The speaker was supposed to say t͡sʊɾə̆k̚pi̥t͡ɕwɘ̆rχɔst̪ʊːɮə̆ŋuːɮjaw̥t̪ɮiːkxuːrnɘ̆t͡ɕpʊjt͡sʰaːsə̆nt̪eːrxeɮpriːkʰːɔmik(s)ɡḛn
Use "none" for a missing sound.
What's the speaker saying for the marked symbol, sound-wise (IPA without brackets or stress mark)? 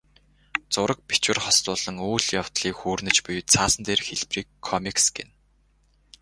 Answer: s